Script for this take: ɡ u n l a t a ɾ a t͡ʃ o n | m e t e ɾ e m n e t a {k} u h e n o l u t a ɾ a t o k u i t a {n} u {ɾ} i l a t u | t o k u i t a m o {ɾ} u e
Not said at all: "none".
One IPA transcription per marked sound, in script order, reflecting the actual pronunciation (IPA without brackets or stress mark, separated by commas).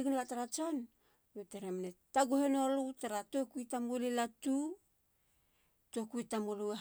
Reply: ɡ, m, l, l